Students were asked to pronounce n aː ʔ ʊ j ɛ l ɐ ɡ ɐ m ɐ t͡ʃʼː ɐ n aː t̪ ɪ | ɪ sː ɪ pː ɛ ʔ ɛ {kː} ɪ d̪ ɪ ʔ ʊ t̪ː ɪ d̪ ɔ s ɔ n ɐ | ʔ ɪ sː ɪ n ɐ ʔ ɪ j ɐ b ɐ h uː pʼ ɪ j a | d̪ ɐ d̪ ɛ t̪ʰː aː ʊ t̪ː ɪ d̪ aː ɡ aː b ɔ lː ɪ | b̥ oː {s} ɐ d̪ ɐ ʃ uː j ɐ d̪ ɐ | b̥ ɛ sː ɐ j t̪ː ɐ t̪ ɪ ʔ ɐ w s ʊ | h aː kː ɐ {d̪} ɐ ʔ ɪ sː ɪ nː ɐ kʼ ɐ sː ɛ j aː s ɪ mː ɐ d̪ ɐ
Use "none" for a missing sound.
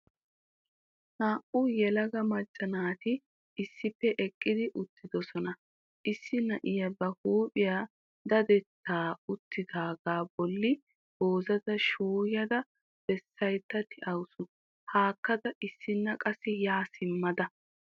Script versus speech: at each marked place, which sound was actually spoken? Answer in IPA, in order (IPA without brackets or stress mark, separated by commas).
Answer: kʼː, z, d̪